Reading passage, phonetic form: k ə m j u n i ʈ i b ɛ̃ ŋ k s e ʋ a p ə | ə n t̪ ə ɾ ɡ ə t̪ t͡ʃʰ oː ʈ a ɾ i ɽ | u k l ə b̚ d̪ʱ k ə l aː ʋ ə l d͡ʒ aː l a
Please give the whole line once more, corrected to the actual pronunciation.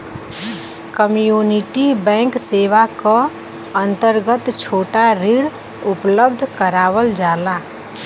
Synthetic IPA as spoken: k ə m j u n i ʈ i b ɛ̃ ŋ k s e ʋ a k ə | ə n t̪ ə ɾ ɡ ə t̪ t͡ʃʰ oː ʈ a ɾ i ɽ | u p l ə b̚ d̪ʱ k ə ɾ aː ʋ ə l d͡ʒ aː l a